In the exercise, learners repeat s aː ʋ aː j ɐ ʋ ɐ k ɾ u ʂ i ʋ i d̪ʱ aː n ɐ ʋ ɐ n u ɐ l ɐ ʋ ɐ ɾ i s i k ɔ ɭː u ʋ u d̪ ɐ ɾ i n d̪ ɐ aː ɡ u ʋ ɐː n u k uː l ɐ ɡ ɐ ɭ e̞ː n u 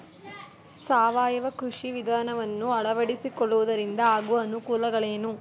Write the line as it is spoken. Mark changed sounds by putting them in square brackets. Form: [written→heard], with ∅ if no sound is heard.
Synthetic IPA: s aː ʋ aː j ɐ ʋ ɐ k ɾ u ʂ i ʋ i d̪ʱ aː n ɐ ʋ ɐ [n→nː] u ɐ [l→ɭ] ɐ ʋ ɐ [ɾ→ɽ] i s i k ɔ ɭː u ʋ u d̪ ɐ ɾ i n d̪ ɐ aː ɡ u ʋ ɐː n u k uː l ɐ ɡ ɐ ɭ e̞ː n u